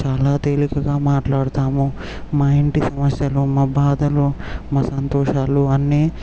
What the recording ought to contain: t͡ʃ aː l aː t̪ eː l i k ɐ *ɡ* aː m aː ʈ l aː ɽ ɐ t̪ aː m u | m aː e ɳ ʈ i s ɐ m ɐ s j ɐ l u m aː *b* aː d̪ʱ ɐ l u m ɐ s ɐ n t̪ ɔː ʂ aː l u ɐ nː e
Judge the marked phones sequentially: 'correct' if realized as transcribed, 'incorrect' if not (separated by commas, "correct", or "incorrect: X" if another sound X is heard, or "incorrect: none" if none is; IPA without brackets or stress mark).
correct, correct